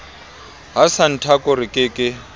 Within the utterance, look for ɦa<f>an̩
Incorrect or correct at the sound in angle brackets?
incorrect: s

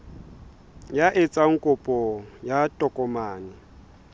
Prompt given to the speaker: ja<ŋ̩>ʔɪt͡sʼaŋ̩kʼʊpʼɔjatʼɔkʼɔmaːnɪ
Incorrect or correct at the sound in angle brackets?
incorrect: none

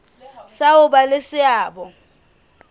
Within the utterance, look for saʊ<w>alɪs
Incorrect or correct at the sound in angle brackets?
incorrect: b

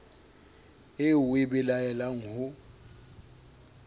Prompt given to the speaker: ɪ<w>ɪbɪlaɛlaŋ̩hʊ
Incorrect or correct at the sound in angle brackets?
correct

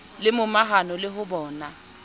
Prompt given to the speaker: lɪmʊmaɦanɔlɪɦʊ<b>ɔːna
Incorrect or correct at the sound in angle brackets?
correct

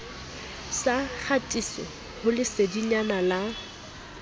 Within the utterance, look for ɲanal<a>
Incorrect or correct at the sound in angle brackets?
correct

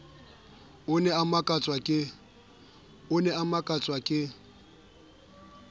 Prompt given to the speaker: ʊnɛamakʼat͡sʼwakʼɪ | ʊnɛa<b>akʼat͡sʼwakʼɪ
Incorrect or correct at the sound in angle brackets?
incorrect: m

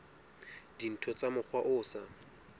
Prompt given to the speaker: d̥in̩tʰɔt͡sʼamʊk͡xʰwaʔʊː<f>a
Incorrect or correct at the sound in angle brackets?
incorrect: s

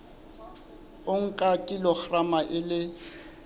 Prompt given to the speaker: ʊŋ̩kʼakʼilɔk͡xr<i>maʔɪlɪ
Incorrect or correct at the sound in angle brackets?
incorrect: a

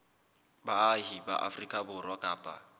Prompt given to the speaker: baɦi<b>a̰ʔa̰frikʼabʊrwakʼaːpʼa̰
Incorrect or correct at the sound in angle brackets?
correct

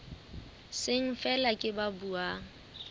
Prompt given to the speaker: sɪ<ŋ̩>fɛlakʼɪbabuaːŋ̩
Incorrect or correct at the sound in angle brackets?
correct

